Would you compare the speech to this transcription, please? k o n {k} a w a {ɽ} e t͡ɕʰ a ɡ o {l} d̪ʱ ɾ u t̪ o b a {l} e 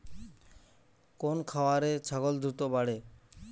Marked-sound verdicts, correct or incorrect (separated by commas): incorrect, incorrect, correct, incorrect